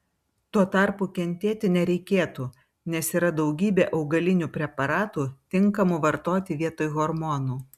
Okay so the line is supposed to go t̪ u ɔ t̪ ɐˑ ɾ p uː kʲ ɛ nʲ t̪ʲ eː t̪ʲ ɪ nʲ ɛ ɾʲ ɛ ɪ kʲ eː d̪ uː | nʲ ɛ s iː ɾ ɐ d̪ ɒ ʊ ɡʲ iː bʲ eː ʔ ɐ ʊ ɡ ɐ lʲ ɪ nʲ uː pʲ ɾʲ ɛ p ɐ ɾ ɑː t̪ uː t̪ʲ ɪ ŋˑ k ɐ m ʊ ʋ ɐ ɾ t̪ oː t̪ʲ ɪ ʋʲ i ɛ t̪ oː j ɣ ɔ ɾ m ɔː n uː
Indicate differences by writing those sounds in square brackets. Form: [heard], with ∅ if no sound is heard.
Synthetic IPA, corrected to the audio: t̪ u ɔ t̪ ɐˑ ɾ p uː kʲ ɛ nʲ t̪ʲ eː t̪ʲ ɪ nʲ ɛ ɾʲ ɛ ɪ kʲ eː [t̪] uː | nʲ ɛ s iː ɾ ɐ d̪ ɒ ʊ ɡʲ iː bʲ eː ʔ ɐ ʊ ɡ ɐ lʲ ɪ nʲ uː pʲ ɾʲ ɛ p ɐ ɾ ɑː t̪ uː t̪ʲ ɪ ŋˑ k ɐ m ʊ ʋ ɐ ɾ t̪ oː t̪ʲ ɪ ʋʲ i ɛ t̪ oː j ɣ ɔ ɾ m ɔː n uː